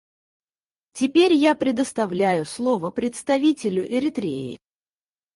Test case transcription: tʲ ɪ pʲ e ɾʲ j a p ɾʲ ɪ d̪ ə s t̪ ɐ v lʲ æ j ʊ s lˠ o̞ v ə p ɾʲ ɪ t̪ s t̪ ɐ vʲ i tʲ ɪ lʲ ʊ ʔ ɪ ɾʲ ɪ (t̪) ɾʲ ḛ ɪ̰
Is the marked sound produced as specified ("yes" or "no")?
yes